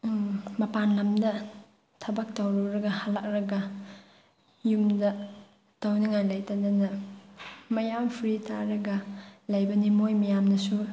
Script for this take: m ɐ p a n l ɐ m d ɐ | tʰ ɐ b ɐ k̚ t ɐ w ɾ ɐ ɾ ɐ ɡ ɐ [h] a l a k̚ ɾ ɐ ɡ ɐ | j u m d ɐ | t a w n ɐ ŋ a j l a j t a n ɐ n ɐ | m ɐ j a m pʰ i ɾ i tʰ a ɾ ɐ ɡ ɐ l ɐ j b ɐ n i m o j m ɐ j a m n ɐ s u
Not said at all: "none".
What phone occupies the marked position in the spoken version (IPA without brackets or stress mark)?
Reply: h